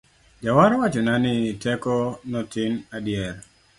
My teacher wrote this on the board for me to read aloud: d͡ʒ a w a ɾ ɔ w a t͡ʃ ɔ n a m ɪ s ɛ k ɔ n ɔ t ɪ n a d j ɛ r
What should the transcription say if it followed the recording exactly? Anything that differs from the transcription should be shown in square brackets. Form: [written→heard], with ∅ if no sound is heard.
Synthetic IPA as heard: d͡ʒ a w a ɾ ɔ w a t͡ʃ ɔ n a [m→n] ɪ [s→t] ɛ k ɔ n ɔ t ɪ n a d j ɛ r